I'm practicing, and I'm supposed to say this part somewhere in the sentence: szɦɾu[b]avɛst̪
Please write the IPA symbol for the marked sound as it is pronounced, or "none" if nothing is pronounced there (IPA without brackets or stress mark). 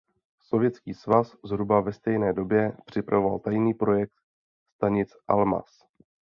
b